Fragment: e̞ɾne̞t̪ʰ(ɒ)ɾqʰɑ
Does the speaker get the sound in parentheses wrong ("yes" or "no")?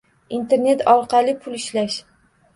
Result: no